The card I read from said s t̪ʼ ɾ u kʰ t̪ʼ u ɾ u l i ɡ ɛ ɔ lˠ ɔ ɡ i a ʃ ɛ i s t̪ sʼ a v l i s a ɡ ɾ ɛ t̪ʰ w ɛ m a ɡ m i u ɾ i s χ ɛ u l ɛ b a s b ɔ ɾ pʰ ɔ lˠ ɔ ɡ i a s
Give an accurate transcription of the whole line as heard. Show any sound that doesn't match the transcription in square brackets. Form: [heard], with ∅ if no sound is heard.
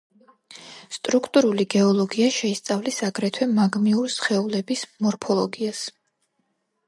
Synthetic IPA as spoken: s t̪ʼ ɾ u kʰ t̪ʼ u ɾ u l i ɡ ɛ ɔ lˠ ɔ ɡ i a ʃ ɛ i s t̪ sʼ a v l i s a ɡ ɾ ɛ t̪ʰ w ɛ m a ɡ m i u ɾ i s χ ɛ u l ɛ b [i] s [m] ɔ ɾ pʰ ɔ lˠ ɔ ɡ i a s